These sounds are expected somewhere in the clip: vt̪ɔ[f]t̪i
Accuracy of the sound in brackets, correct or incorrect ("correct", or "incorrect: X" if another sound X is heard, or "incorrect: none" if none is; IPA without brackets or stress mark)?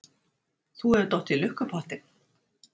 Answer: incorrect: h